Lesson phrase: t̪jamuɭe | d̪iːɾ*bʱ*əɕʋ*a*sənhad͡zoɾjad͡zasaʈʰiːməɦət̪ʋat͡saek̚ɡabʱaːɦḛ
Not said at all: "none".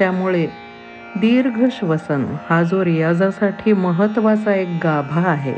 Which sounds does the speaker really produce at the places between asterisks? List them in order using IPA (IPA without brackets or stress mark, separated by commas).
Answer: ɡʱ, ə